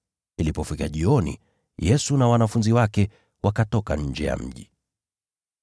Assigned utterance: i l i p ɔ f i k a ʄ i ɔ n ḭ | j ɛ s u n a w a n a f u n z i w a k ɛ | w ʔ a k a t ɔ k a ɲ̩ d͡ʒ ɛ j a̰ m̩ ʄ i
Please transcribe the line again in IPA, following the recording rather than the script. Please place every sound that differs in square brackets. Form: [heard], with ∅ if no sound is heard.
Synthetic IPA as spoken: i l i p ɔ f i k a ʄ i ɔ n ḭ | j ɛ s u n a w a n a f u n z i w a k ɛ | w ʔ a k a t ɔ k a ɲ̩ d͡ʒ ɛ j a̰ m̩ ʄ i